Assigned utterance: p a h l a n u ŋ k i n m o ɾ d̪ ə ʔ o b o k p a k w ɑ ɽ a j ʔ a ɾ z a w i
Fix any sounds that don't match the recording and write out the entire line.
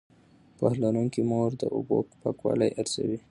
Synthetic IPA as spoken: p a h l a n u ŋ k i m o ɾ d̪ ə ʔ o b o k p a k w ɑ l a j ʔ a ɾ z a w i